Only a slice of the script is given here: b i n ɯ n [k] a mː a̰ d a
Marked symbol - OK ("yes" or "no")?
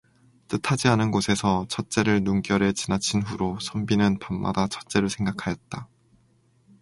no